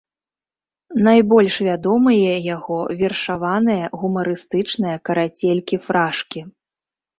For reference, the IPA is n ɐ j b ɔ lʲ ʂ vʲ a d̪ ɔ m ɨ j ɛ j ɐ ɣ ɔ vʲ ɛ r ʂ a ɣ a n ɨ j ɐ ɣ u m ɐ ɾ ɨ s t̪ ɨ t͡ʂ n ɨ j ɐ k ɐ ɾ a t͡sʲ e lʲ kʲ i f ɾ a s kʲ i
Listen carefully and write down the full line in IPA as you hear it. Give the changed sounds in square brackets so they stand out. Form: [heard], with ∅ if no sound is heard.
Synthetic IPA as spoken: n [a] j b ɔ lʲ ʂ vʲ a d̪ ɔ m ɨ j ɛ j [a] ɣ ɔ vʲ ɛ r ʂ a [v] a n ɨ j ɐ ɣ u m ɐ ɾ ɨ s t̪ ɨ t͡ʂ n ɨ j ɐ k ɐ ɾ a t͡sʲ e lʲ kʲ i f ɾ a [ʂ] kʲ i